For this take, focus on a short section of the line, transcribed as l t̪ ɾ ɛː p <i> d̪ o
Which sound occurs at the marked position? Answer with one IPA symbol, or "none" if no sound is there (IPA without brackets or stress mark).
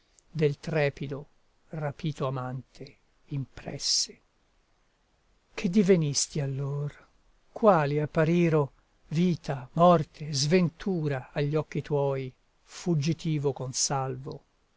i